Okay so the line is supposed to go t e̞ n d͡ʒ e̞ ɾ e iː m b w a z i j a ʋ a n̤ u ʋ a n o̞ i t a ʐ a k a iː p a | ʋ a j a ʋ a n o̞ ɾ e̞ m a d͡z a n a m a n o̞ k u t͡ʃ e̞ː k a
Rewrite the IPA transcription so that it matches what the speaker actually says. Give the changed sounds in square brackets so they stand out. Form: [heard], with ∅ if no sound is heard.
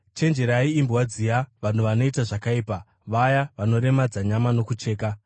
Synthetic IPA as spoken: [t͡ʃ] e̞ n d͡ʒ e̞ ɾ [a] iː m b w a [d͡z] i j a ʋ a n̤ u ʋ a n o̞ i t a ʐ a k a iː p a | ʋ a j a ʋ a n o̞ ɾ e̞ m a d͡z a [ɲ] a m a n o̞ k u t͡ʃ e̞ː k a